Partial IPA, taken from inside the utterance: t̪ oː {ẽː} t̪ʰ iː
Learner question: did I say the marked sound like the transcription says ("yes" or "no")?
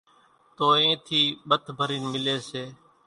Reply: yes